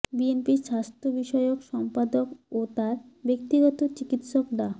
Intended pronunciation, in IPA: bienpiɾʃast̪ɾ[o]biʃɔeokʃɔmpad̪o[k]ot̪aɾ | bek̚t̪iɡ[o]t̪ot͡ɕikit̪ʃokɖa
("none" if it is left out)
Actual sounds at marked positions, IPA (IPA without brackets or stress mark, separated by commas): o, k, ɔ